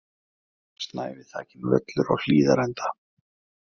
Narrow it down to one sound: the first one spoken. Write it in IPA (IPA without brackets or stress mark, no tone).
s